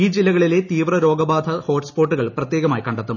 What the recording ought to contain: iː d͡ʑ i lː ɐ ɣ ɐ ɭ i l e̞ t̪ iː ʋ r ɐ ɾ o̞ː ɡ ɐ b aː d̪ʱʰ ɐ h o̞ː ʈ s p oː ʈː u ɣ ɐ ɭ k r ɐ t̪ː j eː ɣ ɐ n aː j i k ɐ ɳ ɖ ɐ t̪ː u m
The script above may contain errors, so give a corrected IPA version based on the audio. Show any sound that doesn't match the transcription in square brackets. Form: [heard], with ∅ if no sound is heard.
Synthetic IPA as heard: iː d͡ʑ i lː ɐ ɣ ɐ ɭ i l e̞ t̪ iː ʋ r ɐ ɾ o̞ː ɡ ɐ b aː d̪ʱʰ ɐ h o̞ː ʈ s p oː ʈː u ɣ ɐ ɭ [p] r ɐ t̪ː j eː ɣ ɐ [m] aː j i k ɐ ɳ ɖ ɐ t̪ː u m